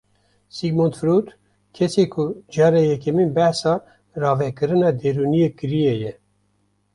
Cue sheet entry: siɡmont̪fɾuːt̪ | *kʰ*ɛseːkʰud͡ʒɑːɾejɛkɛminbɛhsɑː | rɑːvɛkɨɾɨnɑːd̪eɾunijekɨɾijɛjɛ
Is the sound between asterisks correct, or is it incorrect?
correct